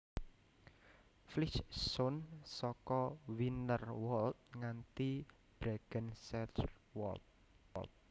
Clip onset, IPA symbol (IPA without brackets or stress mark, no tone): f